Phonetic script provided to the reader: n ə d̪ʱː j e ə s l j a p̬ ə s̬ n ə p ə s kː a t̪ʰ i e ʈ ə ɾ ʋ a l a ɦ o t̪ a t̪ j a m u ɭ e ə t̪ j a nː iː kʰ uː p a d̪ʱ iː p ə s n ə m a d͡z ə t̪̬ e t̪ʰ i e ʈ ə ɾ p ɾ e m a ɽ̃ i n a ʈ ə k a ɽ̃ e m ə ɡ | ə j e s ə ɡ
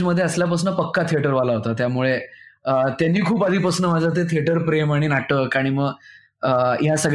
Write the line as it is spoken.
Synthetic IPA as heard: m ə d̪ʱː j e ə s l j a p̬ ə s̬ n ə p ə kː a t̪ʰ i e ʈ ə ɾ ʋ a l a ɦ o t̪ a t̪ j a m u ɭ e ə t̪ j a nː iː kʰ uː p a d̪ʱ iː p ə s n ə m a d͡z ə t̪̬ e t̪ʰ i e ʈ ə ɾ p ɾ e m a ɽ̃ i n a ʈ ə k a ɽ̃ i m ə ɡ | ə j a s ə ɡ